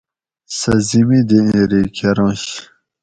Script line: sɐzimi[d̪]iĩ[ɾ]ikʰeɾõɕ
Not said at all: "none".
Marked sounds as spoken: d̪, ɾ

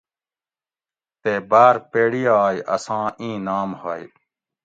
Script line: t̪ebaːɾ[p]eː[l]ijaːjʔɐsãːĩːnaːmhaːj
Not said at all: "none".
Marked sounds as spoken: p, ɽ

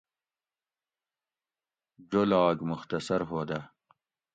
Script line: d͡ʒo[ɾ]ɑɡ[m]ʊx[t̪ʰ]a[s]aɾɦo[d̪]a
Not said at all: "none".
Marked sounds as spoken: l, m, t̪, s, d̪

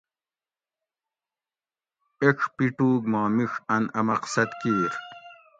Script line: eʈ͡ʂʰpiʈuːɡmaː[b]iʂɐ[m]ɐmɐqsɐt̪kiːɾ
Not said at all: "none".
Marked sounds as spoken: m, n

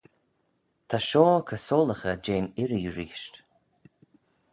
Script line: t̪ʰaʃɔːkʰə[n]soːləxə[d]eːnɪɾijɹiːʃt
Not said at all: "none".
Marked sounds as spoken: none, d͡ʒ

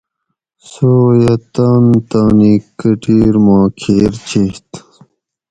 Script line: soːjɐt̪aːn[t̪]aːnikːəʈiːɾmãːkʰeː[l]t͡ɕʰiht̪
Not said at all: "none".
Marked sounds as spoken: t̪, ɾ

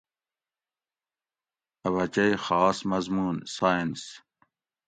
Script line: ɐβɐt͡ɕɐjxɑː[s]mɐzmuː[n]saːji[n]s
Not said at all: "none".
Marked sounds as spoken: s, n, n

